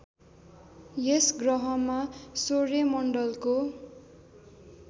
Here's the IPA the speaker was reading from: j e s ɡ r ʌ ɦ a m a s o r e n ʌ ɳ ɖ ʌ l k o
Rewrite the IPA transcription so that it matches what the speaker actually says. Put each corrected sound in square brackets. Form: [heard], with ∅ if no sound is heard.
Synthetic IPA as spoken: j e s ɡ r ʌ ɦ [ʌ] m a s o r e [m] ʌ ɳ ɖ ʌ l k o